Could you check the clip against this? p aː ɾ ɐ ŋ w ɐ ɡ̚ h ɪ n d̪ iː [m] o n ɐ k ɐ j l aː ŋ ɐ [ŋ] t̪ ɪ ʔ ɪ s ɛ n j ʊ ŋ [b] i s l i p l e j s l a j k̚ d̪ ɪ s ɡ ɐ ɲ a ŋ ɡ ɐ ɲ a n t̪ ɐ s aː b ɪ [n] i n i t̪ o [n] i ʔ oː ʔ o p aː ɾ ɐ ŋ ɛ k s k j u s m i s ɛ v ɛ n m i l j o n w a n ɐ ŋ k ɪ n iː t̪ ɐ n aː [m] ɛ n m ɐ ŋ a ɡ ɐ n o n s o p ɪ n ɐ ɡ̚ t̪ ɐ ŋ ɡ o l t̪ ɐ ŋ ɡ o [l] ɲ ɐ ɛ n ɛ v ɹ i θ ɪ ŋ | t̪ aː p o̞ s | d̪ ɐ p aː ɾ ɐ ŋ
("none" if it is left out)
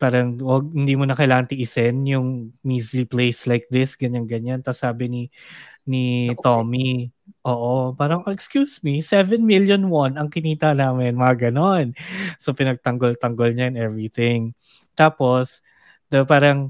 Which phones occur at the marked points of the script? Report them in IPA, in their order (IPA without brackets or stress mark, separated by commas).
m, n, m, n, m, m, l